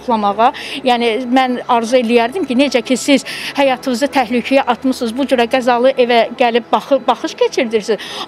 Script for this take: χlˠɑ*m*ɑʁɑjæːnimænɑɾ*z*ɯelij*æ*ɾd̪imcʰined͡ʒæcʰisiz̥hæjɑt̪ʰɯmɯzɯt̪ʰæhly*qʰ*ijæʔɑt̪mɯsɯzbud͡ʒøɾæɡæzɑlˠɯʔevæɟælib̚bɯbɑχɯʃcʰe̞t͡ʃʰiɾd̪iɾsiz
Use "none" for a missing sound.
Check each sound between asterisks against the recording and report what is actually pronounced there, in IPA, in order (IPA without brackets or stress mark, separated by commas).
m, z, æ, cʰ